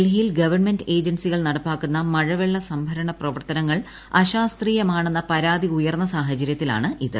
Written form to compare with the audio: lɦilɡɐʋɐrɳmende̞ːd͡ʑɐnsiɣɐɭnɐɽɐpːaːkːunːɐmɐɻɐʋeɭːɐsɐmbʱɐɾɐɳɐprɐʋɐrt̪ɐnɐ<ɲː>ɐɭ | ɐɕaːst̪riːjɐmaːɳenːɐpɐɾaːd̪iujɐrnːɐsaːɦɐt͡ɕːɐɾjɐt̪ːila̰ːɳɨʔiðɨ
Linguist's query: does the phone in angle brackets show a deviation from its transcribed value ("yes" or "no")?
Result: yes